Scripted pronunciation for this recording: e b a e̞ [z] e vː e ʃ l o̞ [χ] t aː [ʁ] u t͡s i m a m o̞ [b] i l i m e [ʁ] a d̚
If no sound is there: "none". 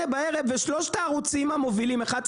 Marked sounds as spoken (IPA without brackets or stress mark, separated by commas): ʁ, ʃ, ʁ, v, χ